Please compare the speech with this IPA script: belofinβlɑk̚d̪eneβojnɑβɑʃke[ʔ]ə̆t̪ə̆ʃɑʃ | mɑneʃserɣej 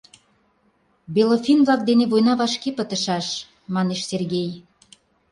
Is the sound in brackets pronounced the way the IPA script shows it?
no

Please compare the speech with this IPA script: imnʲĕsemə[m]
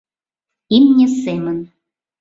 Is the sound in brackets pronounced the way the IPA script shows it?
no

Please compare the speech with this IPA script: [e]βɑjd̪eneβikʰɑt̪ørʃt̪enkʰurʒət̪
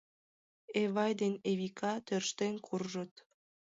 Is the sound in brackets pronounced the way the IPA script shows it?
yes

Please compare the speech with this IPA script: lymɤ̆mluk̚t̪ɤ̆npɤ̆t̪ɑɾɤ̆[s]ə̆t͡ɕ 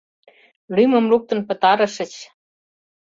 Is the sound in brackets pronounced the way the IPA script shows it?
no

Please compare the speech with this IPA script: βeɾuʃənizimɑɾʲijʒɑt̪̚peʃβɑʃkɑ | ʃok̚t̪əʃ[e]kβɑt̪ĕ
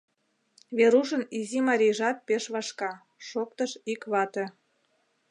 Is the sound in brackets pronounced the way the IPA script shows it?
no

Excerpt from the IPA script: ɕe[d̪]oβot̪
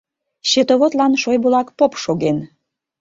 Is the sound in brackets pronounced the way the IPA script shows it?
no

